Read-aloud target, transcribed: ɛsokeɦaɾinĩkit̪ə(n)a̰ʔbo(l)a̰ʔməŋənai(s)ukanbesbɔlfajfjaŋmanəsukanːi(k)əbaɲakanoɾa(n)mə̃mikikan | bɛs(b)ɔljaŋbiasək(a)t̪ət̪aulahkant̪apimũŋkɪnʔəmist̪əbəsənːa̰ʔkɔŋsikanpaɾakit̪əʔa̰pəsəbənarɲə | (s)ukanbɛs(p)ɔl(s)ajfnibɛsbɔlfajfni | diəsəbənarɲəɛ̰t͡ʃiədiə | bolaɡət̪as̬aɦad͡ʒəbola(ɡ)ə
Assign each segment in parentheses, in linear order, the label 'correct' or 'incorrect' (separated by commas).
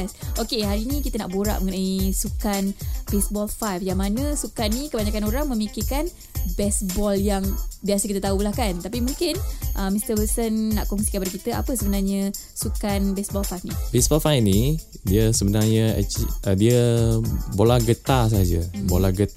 correct, incorrect, correct, correct, incorrect, correct, incorrect, correct, incorrect, incorrect, correct